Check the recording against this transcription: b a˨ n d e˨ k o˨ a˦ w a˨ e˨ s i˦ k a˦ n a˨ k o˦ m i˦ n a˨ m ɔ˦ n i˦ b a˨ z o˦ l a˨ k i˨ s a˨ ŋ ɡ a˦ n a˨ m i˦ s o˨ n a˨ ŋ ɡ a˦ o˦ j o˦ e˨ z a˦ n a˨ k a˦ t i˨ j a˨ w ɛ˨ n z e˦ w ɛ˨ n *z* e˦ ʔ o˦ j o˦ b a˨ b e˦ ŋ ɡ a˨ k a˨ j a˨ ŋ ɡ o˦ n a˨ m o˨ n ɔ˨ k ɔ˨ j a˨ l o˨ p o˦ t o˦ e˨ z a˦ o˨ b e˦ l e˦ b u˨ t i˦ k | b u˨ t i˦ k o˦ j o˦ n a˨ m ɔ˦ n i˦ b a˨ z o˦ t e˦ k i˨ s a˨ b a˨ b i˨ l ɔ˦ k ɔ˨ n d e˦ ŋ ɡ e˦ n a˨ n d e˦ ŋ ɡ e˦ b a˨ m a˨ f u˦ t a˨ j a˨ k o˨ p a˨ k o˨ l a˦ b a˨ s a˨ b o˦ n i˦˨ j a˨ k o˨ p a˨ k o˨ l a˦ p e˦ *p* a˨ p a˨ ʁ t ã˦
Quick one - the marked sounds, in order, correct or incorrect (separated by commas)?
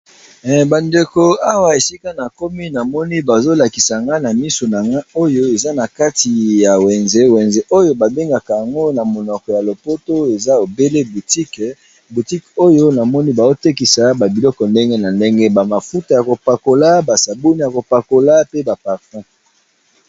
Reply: correct, incorrect